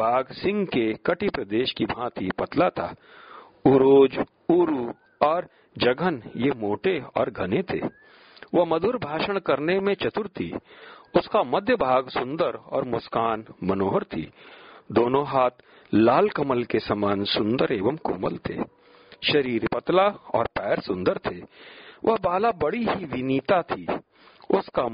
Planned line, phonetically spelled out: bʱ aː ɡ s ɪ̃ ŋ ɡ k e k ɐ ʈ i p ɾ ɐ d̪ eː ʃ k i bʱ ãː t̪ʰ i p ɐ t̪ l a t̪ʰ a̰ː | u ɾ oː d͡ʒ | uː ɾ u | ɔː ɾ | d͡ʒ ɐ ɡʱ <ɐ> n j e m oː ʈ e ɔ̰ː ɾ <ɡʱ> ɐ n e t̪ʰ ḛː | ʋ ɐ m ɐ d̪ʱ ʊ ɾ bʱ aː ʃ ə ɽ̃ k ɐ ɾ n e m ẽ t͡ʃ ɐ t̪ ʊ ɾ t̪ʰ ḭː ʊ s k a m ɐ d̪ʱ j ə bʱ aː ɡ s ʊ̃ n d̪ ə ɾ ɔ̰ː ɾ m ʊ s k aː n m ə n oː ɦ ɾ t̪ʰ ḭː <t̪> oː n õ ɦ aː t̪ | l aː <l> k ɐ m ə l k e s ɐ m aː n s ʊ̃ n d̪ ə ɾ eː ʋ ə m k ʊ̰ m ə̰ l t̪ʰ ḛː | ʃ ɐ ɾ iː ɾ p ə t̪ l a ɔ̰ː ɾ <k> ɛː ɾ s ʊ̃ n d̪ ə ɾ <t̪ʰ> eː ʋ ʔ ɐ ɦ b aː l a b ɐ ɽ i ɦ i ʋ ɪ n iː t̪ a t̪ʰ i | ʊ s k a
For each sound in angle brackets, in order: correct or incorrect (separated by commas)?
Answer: incorrect, correct, incorrect, correct, incorrect, correct